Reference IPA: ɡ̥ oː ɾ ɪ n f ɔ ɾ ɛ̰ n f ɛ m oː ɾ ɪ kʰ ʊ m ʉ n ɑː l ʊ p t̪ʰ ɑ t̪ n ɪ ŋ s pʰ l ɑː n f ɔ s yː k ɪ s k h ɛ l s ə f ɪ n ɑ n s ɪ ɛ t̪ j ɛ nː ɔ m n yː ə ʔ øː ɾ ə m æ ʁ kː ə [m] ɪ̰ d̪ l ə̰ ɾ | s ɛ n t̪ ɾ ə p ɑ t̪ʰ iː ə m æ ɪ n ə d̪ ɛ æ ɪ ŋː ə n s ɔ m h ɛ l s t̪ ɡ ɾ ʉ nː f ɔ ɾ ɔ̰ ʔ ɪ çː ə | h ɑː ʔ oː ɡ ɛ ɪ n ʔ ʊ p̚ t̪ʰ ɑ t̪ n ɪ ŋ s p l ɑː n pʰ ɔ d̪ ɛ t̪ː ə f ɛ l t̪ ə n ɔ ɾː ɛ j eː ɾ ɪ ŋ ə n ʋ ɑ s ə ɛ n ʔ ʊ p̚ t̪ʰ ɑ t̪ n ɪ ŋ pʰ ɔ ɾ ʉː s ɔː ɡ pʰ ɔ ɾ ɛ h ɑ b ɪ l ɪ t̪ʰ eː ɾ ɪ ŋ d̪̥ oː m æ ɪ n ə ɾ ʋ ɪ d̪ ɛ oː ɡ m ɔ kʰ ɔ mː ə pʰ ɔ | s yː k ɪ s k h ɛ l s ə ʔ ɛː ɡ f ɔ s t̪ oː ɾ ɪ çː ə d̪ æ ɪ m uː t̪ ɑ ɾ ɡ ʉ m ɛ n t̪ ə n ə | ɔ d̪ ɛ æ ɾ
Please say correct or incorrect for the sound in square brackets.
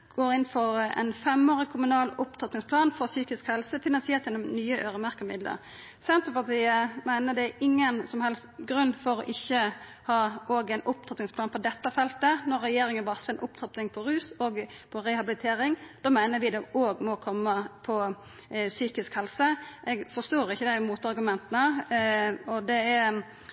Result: correct